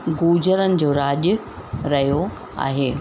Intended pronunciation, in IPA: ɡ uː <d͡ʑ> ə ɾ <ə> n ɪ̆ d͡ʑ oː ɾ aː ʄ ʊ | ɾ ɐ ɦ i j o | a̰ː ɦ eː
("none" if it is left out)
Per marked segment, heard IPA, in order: d͡ʑ, ə

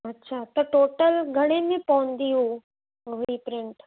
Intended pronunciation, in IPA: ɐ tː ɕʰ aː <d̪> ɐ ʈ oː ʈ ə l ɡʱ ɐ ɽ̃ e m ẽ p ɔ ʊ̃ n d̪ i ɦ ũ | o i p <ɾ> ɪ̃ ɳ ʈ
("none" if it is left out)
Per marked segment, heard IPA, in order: t̪, ɾ

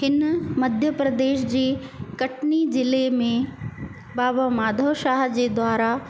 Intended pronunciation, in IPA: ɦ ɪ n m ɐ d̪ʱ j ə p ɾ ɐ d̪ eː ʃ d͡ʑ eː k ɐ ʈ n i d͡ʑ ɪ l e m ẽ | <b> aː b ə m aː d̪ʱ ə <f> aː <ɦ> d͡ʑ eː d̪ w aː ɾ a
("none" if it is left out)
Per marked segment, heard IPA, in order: b, ʃ, ɦ

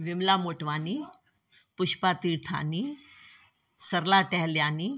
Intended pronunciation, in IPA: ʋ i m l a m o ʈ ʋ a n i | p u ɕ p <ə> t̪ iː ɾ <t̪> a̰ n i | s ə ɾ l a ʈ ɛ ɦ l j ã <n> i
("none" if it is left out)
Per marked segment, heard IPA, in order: a, t̪ʰ, n

